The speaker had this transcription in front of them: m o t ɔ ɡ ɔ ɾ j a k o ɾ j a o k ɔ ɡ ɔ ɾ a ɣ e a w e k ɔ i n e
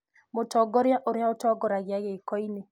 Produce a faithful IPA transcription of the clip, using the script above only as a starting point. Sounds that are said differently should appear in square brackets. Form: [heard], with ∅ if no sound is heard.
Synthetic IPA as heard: m o t ɔ ɡ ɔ ɾ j a [ʔ] o ɾ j a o [t] ɔ ɡ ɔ ɾ a ɣ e a [ɣ] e k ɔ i n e